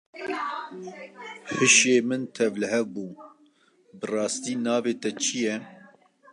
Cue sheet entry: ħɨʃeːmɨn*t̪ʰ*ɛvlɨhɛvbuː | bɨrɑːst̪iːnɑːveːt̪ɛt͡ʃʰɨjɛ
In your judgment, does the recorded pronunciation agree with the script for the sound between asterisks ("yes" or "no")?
yes